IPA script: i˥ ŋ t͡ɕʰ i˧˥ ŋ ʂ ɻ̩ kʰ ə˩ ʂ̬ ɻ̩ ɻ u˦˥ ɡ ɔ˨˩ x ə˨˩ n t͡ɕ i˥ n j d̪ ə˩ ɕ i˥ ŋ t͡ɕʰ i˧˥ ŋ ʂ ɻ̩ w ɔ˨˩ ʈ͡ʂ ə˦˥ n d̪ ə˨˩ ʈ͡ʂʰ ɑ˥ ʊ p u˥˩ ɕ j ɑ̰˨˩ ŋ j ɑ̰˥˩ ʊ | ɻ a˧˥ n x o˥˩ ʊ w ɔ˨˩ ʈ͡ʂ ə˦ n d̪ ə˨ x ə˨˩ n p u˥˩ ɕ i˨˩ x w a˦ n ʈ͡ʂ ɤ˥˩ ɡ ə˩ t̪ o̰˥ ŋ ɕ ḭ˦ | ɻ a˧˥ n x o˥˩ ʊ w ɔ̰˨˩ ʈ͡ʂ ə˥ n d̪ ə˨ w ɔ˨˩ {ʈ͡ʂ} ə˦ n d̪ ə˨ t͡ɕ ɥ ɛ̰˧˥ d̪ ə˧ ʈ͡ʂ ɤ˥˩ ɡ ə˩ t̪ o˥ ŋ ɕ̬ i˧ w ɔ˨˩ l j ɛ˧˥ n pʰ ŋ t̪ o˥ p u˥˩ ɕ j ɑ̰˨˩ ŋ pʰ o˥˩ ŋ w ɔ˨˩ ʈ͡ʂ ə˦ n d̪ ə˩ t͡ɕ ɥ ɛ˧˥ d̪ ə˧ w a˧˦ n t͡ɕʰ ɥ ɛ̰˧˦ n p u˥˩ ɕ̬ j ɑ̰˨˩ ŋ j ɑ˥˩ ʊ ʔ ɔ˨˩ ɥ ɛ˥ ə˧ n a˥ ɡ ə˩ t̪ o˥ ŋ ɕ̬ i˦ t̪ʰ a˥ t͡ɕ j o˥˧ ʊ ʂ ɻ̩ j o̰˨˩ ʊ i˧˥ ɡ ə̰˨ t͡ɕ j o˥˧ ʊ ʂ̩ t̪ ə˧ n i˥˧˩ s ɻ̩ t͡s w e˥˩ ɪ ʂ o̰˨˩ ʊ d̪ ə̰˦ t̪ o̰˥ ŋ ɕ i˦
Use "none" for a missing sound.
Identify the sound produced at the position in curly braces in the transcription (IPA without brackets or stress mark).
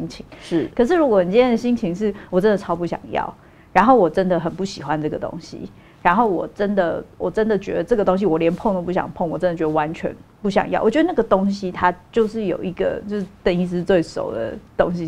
ʈ͡ʂ